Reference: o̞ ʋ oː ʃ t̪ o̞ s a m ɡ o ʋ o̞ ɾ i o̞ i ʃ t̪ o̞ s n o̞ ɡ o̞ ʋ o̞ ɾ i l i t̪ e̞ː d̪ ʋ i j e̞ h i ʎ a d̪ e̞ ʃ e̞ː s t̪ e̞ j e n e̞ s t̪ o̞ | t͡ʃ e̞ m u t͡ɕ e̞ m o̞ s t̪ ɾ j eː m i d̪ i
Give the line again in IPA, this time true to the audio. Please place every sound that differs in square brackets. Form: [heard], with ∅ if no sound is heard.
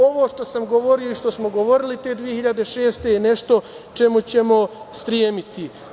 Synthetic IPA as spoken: o̞ ʋ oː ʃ t̪ o̞ s a m ɡ o ʋ o̞ ɾ i o̞ i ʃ t̪ o̞ s [m] o̞ ɡ o̞ ʋ o̞ ɾ i l i t̪ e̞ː d̪ ʋ i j e̞ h i ʎ a d̪ e̞ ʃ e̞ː s t̪ e̞ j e n e̞ [ʃ] t̪ o̞ | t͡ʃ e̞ m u t͡ɕ e̞ m o̞ s t̪ ɾ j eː m i [t̪] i